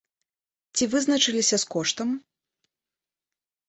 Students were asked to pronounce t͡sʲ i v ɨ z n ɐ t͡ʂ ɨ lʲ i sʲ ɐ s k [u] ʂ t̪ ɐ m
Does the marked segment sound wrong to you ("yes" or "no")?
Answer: yes